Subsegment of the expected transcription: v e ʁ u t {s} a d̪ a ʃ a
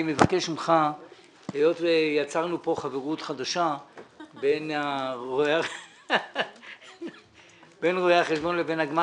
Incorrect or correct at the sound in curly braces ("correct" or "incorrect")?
incorrect